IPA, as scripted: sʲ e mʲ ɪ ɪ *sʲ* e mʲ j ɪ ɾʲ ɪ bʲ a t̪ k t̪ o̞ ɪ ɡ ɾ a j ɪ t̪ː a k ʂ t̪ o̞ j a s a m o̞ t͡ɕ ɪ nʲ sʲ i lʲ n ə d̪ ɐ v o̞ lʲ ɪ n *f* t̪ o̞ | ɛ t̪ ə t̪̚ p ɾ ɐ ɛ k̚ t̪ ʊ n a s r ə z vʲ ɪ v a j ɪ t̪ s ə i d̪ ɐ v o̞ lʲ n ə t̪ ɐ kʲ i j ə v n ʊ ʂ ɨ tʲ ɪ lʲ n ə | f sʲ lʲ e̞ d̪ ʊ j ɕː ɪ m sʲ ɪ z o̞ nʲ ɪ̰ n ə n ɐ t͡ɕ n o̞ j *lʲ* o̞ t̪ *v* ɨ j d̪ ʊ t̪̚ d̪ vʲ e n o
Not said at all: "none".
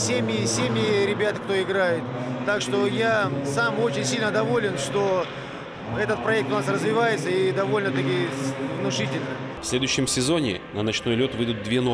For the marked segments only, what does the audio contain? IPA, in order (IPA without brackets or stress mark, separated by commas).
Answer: sʲ, ʂ, lʲ, v